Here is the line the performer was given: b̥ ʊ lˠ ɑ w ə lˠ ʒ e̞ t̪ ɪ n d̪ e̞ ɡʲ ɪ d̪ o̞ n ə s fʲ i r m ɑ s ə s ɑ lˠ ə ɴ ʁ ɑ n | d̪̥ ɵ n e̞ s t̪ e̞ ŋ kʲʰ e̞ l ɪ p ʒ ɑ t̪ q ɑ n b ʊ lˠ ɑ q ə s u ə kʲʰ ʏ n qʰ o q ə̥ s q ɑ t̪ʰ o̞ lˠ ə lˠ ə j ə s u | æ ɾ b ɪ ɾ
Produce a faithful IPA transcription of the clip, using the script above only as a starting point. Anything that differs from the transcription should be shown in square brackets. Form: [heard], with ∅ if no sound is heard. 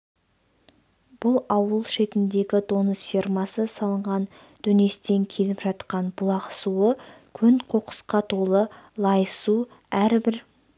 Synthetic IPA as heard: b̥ ʊ lˠ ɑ w ə lˠ [ʃ] e̞ t̪ ɪ n d̪ e̞ ɡʲ ɪ d̪ o̞ n ə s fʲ i r m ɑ s ə s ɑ lˠ ə ɴ ʁ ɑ n | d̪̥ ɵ n e̞ s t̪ e̞ ŋ kʲʰ e̞ l ɪ p ʒ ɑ t̪ q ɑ n b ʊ lˠ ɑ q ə s u ə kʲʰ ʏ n qʰ o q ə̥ s q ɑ t̪ʰ o̞ lˠ ə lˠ [ɑ] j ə s u | æ ɾ b ɪ ɾ